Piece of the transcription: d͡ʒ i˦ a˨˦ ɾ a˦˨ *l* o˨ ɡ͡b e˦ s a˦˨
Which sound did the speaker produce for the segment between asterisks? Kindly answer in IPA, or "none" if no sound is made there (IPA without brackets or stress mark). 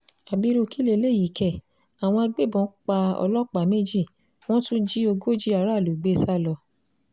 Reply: l